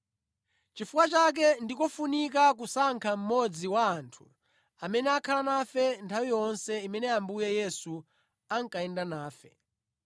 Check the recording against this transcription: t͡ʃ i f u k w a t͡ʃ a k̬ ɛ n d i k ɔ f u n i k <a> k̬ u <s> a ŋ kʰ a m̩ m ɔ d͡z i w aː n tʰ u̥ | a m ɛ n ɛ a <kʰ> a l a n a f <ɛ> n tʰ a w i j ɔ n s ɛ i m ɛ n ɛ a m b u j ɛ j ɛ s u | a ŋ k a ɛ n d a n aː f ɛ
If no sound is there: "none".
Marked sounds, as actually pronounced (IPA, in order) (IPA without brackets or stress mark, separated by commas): a, s, kʰ, ɛ